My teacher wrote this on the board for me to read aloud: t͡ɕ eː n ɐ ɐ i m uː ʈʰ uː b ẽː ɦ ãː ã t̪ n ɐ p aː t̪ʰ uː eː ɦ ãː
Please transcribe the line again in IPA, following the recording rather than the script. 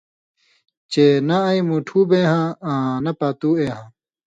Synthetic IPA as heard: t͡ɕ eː n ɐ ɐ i m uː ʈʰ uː b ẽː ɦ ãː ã n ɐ p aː t̪ uː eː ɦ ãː